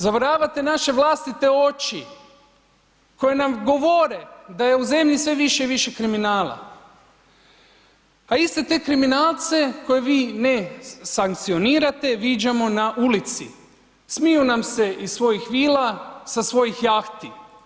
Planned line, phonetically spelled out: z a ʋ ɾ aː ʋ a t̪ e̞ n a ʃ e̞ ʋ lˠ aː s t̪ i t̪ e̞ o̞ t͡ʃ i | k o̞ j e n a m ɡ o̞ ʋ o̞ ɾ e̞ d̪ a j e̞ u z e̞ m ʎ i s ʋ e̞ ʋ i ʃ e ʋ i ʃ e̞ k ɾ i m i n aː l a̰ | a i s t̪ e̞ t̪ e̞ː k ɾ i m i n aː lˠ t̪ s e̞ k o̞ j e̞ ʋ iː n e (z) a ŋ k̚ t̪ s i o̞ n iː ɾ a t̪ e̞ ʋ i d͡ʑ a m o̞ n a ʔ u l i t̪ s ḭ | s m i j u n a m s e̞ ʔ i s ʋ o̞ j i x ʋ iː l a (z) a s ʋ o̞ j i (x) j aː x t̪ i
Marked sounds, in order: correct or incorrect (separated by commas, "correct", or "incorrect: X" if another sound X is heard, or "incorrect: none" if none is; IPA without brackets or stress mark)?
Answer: incorrect: s, incorrect: s, correct